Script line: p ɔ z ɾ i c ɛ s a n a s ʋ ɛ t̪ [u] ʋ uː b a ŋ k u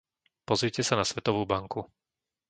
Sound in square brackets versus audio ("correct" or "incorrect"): incorrect